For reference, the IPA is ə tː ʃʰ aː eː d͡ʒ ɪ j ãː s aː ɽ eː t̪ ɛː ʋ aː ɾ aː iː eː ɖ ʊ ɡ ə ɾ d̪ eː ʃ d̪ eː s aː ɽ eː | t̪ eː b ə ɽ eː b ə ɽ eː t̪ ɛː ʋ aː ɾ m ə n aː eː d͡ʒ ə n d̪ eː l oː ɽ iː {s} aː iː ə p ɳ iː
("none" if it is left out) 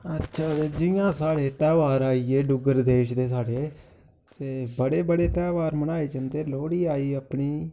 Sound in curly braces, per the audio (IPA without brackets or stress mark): none